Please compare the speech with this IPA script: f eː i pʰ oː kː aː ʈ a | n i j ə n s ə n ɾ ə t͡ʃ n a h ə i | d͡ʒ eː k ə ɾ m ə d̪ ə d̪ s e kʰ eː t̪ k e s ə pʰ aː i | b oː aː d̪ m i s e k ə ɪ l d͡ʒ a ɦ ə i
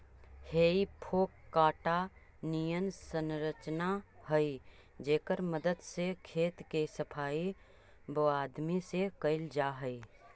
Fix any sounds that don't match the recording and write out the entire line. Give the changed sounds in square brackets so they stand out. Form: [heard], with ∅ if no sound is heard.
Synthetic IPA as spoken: [h] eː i pʰ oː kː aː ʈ a | n i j ə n s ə n ɾ ə t͡ʃ n a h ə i | d͡ʒ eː k ə ɾ m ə d̪ ə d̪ s e kʰ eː t̪ k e s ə pʰ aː i | b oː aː d̪ m i s e k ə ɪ l d͡ʒ a ɦ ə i